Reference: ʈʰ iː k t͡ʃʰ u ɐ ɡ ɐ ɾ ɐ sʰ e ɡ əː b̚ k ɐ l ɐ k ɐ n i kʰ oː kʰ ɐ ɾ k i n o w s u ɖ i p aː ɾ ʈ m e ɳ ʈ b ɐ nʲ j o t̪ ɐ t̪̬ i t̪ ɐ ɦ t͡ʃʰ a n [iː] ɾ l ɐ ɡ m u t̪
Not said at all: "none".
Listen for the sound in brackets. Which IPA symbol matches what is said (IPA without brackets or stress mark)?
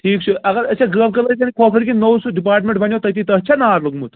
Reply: aː